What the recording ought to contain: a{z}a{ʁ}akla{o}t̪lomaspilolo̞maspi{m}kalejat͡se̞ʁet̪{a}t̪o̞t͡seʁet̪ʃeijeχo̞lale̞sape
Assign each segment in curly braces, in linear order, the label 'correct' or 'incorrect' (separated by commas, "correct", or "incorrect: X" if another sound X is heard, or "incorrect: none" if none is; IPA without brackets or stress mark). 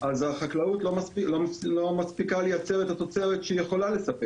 correct, incorrect: χ, incorrect: u, incorrect: none, correct